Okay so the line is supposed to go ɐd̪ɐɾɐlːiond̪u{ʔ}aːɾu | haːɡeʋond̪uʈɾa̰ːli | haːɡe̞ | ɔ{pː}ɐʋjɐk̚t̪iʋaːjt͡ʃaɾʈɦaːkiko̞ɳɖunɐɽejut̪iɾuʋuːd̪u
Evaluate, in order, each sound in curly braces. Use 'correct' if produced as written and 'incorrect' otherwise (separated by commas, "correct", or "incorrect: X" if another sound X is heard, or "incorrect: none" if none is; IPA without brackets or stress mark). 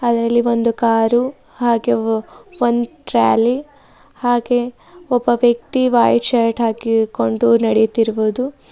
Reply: incorrect: k, incorrect: bː